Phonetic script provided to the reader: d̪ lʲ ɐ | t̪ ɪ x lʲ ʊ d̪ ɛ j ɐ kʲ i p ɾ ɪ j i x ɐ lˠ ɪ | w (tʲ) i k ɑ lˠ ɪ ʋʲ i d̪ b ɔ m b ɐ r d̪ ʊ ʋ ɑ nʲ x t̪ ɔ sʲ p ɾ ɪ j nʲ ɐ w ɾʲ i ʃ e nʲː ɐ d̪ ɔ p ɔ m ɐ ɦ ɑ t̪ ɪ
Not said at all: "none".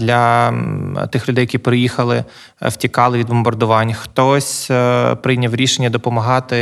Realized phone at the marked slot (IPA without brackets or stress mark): tʲ